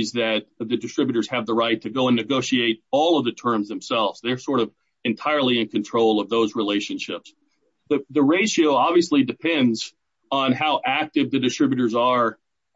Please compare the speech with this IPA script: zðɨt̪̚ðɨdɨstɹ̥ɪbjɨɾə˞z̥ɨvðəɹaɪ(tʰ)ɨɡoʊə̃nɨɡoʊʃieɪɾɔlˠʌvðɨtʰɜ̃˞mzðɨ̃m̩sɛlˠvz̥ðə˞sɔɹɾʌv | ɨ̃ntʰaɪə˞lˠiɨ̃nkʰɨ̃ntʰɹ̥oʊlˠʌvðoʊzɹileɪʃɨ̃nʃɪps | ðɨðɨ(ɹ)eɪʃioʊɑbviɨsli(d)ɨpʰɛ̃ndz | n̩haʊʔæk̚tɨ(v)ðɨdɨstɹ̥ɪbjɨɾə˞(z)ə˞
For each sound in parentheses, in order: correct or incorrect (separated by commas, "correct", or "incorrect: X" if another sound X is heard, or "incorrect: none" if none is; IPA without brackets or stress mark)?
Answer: correct, correct, correct, correct, correct